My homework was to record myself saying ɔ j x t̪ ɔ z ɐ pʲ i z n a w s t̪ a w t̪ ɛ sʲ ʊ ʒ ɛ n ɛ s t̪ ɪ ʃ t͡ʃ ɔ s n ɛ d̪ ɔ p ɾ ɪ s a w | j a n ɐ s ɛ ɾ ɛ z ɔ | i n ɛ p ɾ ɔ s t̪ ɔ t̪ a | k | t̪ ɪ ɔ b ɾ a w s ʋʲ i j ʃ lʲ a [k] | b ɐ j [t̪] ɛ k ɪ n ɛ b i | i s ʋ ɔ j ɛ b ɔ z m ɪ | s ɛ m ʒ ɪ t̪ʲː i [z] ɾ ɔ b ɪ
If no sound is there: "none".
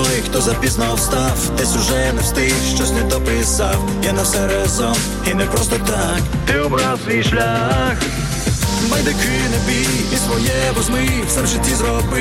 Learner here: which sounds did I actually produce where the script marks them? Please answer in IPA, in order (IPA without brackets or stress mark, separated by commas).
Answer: x, d̪, z